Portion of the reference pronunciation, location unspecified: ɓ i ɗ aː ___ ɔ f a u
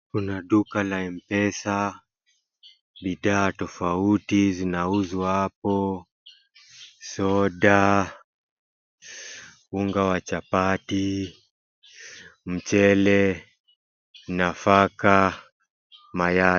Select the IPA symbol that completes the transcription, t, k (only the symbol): t